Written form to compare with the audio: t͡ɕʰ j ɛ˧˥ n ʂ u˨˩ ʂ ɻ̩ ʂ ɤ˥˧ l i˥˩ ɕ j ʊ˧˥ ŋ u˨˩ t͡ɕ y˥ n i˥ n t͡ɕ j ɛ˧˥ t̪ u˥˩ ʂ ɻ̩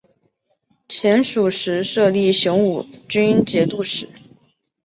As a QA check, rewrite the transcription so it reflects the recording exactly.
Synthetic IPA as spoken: t͡ɕʰ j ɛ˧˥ n ʂ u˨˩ ʂ ɻ̩ ʂ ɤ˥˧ l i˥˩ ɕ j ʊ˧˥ ŋ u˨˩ t͡ɕ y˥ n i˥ n t͡ɕ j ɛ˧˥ t̪ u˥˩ ʂ ɻ̩

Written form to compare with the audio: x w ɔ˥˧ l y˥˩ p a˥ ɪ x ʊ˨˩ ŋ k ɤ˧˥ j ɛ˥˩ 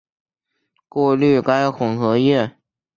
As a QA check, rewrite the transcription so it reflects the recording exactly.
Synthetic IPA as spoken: k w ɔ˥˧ l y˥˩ k a˥ ɪ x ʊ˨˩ ŋ x ɤ˧˥ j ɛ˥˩

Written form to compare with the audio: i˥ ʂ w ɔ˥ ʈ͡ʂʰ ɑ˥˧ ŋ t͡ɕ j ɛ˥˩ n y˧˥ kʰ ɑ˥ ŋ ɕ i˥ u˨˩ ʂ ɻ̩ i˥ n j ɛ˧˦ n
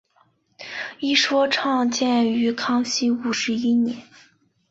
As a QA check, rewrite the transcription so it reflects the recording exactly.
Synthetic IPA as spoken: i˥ ʂ w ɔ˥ ʈ͡ʂʰ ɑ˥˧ ŋ t͡ɕ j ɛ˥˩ n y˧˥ kʰ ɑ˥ ŋ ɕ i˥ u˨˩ ʂ ɻ̩ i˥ n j ɛ˧˦ n

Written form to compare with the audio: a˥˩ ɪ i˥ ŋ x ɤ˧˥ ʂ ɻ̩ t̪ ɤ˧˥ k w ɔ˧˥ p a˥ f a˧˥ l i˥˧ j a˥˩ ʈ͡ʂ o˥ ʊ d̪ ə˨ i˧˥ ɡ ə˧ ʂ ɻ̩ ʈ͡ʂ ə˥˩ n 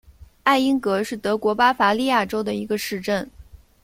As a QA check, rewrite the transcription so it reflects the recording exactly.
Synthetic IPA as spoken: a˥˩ ɪ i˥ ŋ k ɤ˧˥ ʂ ɻ̩ t̪ ɤ˧˥ k w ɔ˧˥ p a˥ f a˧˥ l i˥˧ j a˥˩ ʈ͡ʂ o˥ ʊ d̪ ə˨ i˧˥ ɡ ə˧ ʂ ɻ̩ ʈ͡ʂ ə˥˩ n

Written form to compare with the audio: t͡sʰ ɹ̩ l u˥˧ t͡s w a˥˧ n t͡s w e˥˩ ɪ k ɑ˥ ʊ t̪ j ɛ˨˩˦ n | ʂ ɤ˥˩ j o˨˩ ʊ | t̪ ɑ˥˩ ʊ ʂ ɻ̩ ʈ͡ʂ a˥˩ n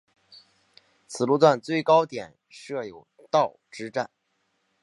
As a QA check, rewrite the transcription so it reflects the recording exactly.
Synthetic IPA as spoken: t͡sʰ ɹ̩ l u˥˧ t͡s w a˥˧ n t͡s w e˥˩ ɪ k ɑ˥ ʊ t̪ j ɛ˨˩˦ n | ʂ ɤ˥˩ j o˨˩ ʊ | t̪ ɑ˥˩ ʊ ʈ͡ʂ ɻ̩ ʈ͡ʂ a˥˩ n

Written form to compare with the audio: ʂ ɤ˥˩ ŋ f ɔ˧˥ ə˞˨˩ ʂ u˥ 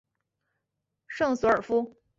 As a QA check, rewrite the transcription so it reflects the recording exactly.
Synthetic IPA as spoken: ʂ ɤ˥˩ ŋ s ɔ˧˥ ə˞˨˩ f u˥

